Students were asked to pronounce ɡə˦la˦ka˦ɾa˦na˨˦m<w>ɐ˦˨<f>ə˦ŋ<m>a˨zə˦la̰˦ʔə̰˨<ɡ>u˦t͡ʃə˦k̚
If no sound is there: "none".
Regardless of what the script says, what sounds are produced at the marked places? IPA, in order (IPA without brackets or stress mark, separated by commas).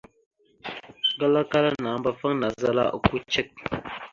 b, f, n, k